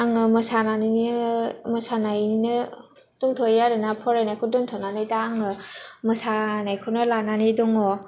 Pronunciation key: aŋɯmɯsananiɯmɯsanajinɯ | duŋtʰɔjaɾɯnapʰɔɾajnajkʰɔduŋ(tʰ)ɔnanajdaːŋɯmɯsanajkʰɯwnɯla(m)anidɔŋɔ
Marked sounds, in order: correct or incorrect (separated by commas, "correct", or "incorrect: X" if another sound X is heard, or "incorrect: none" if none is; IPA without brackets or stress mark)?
correct, incorrect: n